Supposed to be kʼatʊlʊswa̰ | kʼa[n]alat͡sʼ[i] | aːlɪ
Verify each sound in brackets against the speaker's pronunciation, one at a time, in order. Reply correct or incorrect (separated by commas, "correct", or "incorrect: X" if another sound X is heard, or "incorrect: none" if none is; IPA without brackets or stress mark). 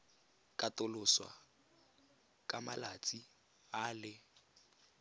incorrect: m, correct